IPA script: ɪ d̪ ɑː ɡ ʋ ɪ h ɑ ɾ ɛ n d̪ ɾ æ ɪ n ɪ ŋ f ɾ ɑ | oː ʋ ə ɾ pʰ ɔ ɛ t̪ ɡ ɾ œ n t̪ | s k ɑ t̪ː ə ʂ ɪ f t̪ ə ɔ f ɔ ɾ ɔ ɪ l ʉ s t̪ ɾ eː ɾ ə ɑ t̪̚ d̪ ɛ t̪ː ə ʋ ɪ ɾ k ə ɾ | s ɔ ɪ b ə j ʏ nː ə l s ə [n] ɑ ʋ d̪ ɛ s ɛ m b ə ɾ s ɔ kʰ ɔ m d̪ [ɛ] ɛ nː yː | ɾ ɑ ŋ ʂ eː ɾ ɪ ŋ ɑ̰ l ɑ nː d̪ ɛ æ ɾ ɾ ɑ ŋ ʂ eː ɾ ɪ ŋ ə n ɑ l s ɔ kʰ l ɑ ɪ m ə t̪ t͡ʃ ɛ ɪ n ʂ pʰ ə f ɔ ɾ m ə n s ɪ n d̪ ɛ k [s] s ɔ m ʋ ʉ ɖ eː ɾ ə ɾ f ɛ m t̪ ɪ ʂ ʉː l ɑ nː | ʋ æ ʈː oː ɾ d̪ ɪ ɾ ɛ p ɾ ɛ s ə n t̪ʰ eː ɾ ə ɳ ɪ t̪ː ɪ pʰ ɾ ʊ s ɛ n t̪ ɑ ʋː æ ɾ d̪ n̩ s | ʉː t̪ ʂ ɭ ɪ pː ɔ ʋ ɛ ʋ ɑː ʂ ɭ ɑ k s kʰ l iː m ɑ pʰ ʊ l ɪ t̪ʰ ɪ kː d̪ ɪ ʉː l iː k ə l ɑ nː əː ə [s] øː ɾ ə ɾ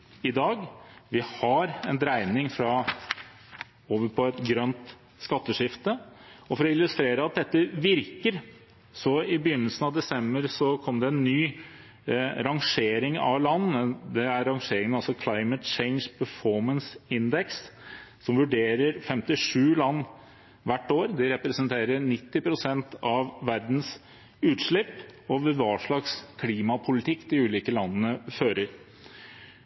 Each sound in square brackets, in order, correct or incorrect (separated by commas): correct, correct, correct, incorrect